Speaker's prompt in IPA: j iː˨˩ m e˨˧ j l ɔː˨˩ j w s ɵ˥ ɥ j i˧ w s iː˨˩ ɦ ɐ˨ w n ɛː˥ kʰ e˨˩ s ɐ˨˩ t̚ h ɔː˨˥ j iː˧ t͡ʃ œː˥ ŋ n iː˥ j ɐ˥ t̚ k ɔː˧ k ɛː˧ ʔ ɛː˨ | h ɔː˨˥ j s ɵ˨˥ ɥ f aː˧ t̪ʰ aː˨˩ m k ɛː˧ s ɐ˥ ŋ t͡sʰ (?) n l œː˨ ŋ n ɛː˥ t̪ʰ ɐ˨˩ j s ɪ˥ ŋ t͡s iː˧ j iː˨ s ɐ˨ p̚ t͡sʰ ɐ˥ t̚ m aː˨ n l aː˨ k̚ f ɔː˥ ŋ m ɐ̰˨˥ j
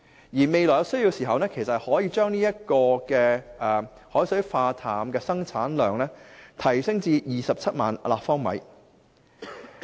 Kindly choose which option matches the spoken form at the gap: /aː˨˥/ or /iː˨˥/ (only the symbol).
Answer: aː˨˥